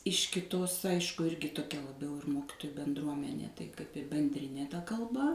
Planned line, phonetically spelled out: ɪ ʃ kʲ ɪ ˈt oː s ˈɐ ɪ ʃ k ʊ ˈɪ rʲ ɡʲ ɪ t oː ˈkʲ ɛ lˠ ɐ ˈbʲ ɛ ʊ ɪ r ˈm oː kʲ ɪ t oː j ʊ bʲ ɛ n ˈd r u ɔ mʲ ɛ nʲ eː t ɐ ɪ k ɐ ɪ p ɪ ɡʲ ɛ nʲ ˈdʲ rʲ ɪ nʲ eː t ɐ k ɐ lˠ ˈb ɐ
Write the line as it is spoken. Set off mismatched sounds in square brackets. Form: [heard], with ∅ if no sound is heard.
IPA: ɪ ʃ kʲ ɪ ˈt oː s ˈɐ ɪ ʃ k ʊ ˈɪ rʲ ɡʲ ɪ t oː ˈkʲ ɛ lˠ ɐ ˈbʲ ɛ ʊ ɪ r ˈm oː kʲ ɪ t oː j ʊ bʲ ɛ n ˈd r u ɔ mʲ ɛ nʲ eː t ɐ ɪ k ɐ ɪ p ɪ [bʲ] ɛ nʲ ˈdʲ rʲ ɪ nʲ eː t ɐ k ɐ lˠ ˈb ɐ